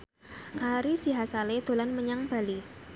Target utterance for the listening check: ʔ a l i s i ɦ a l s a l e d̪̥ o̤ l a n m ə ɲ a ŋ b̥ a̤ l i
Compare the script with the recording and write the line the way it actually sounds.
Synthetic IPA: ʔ a ɾ i s i ɦ a s a l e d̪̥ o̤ l a n m ə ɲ a ŋ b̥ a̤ l i